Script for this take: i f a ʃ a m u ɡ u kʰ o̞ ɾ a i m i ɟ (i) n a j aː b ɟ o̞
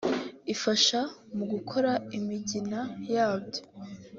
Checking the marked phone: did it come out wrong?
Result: no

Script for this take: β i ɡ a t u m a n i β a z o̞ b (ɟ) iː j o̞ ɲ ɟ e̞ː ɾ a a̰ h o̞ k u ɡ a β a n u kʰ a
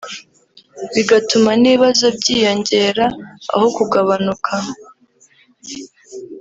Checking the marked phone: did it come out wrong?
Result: no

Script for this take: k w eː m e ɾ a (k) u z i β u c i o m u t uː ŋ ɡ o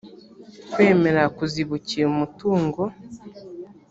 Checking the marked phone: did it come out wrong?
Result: no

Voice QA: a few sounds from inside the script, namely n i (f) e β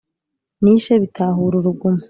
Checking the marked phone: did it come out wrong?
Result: yes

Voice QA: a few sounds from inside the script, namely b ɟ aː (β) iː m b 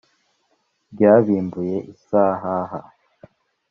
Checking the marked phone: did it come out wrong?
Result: no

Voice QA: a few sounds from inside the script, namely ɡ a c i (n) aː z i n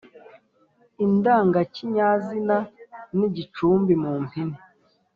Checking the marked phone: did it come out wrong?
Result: yes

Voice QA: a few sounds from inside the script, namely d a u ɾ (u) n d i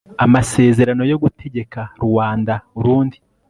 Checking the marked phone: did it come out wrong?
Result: yes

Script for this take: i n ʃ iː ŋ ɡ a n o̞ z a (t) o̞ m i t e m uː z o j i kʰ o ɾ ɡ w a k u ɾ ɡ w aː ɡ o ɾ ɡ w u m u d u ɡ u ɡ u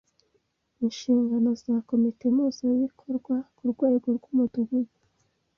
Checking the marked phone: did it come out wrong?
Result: yes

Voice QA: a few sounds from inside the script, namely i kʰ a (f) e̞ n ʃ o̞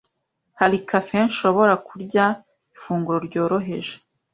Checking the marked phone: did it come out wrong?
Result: no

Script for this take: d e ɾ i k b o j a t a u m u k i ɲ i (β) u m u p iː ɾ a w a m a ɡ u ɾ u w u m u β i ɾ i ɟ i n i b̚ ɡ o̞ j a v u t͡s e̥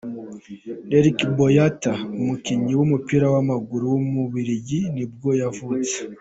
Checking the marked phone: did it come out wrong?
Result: yes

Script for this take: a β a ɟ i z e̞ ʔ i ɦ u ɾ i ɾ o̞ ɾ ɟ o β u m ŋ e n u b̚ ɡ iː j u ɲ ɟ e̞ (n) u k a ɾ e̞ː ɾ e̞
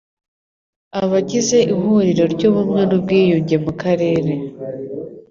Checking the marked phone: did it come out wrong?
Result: yes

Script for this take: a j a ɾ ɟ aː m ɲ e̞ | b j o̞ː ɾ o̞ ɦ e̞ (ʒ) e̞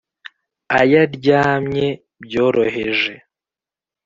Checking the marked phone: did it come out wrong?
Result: no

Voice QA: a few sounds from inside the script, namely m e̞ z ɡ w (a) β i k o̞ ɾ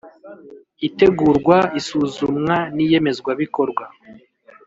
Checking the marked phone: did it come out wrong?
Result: no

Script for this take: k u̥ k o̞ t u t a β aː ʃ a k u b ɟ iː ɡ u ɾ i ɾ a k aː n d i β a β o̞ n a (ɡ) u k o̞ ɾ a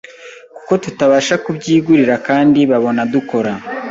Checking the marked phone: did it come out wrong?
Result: yes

